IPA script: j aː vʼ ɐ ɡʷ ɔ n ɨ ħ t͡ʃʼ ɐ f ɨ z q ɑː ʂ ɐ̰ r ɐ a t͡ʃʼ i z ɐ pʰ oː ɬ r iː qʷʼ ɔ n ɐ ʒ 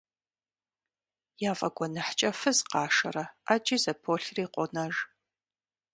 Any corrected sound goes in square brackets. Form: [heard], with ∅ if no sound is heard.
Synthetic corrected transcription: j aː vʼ ɐ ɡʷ ɔ n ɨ ħ t͡ʃʼ ɐ f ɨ z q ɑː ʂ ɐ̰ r ɐ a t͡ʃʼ i z ɐ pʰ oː ɬ r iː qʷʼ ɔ n ɐ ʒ